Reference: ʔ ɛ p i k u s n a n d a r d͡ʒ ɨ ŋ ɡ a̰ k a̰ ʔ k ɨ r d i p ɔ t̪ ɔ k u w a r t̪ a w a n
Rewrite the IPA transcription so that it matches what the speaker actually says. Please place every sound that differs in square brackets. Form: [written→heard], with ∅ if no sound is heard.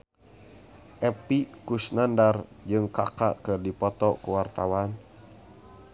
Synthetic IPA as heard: ʔ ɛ p i k u s n a n d a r d͡ʒ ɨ ŋ [ɡ→k] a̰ k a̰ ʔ k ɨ r d i p ɔ t̪ ɔ k u w a r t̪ a w a n